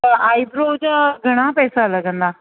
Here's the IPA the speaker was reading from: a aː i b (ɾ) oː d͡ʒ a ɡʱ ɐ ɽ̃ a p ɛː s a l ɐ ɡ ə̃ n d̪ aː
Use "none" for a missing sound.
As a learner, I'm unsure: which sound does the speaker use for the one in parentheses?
ɾ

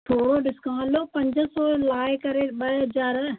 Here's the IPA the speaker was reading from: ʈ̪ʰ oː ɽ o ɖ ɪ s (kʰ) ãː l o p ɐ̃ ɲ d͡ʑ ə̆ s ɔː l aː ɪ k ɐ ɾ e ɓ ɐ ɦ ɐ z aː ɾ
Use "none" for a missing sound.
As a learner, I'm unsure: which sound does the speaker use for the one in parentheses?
k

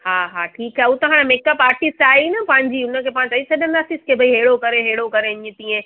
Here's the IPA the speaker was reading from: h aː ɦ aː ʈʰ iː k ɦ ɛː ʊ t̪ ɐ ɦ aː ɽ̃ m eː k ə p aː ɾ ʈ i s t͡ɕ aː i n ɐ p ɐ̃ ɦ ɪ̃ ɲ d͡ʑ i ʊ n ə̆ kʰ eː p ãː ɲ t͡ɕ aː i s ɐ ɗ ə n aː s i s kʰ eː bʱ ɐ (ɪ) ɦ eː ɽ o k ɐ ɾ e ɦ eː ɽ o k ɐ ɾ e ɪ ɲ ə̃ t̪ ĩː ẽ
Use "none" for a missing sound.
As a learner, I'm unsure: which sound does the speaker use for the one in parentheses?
i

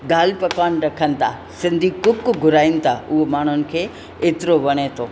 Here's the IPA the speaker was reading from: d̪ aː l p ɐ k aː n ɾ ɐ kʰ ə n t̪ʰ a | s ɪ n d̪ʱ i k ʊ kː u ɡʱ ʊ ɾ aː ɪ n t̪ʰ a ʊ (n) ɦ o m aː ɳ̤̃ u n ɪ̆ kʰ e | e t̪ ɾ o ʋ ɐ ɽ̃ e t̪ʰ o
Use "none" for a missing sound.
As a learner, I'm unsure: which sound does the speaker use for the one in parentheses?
none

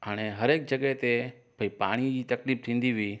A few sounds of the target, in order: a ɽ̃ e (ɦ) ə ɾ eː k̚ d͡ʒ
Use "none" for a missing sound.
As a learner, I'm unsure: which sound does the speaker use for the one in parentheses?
ɦ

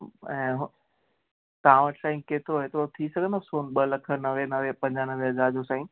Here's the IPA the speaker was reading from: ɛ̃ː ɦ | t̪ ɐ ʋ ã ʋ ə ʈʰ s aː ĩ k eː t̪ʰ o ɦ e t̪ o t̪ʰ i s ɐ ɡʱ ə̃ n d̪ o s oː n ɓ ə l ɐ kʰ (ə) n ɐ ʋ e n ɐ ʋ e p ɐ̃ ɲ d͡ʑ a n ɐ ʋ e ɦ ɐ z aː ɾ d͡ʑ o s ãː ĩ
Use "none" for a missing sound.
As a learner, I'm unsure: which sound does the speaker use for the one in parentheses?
ə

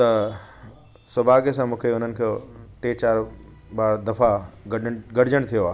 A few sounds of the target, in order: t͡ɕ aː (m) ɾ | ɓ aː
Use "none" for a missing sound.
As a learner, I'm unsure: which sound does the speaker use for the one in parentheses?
none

